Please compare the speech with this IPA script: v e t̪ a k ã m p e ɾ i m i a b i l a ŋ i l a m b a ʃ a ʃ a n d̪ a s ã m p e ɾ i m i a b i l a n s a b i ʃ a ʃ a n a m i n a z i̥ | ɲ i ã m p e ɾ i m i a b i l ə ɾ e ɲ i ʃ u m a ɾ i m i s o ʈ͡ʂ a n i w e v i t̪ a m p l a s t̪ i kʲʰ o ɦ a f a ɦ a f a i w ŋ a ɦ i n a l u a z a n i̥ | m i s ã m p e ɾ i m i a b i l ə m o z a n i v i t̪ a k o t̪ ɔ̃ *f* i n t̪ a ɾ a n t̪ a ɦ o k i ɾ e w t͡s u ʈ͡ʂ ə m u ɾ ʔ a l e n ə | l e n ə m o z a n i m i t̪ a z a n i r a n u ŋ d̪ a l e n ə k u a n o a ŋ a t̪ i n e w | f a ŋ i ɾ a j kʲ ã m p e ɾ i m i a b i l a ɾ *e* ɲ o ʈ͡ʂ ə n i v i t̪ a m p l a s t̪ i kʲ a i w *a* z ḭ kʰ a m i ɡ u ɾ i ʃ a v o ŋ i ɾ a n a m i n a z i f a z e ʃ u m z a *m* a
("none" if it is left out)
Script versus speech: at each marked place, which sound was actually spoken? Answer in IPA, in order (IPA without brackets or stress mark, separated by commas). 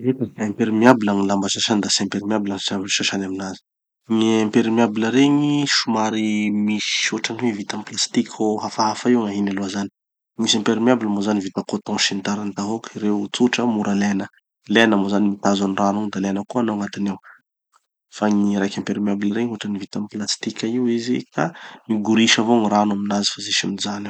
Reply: ʃ, e, i, n